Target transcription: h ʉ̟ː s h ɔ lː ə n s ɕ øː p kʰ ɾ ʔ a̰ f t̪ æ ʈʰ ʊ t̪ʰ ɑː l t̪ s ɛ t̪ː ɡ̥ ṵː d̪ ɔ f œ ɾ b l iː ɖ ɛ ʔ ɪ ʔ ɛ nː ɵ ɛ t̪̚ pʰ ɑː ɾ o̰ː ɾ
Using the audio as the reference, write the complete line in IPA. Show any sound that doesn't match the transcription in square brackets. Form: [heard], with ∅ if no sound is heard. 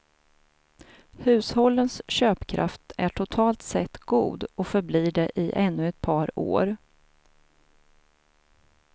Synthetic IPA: h ʉ̟ː s h ɔ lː ə n s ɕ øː p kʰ ɾ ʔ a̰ f t̪ æ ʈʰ ʊ t̪ʰ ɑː l t̪ s ɛ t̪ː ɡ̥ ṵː d̪ ɔ f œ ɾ b l iː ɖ ɛ ʔ ɪ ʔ ɛ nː ɵ ɛ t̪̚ pʰ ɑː ɾ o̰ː ɾ